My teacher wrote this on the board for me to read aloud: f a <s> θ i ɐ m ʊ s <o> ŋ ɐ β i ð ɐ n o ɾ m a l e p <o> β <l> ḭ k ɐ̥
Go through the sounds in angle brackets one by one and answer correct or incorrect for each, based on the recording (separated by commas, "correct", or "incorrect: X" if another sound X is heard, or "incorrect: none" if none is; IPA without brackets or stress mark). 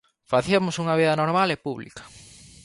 incorrect: none, incorrect: u, incorrect: u, correct